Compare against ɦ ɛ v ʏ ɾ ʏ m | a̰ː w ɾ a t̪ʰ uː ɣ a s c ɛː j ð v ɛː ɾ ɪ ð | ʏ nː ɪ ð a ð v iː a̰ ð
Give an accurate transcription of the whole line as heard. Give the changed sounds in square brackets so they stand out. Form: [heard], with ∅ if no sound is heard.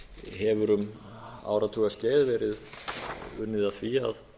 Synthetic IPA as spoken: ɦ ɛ v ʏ ɾ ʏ m | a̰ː w ɾ a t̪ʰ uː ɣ a s c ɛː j ð v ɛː ɾ ɪ ð | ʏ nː ɪ ð a [θ] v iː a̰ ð

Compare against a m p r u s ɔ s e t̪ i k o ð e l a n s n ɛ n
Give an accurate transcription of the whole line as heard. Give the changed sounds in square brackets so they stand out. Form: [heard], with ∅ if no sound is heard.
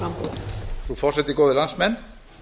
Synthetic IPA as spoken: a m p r u [f] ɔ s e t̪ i k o ð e l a n s [m] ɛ n

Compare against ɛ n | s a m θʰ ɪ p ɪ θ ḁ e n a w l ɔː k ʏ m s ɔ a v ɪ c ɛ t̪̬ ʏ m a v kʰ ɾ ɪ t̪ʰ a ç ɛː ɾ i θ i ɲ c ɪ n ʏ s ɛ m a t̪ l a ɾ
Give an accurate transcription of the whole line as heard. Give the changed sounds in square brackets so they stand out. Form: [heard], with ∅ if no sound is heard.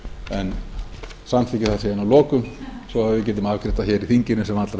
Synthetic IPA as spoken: ɛ n | s a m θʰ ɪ [c] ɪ θ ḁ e n a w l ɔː k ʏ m s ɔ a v ɪ c ɛ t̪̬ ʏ m a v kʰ ɾ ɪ [t̪] a ç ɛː ɾ i θ i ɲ c ɪ n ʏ s ɛ m a t̪ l a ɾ

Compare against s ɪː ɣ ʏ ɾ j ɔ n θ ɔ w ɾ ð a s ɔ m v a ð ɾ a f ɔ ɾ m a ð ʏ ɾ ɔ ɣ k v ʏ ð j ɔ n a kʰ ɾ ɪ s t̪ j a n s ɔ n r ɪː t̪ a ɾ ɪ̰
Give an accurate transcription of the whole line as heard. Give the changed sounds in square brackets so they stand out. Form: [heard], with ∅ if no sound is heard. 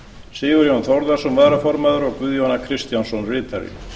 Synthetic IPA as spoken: s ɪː ɣ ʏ ɾ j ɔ n θ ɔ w ɾ ð a s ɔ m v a ð ɾ a f ɔ ɾ m a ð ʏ ɾ ɔ ɣ k v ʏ ð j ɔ n a kʰ ɾ ɪ s t̪ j a n s ɔ n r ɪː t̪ a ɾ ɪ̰

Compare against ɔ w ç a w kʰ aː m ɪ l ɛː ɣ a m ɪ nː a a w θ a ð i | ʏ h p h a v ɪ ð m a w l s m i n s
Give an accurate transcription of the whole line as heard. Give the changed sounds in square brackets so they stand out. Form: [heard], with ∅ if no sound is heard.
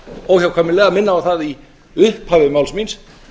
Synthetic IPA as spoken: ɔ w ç a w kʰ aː m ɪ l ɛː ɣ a m ɪ nː a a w θ a ð i | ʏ h p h a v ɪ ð m a w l s m i n s

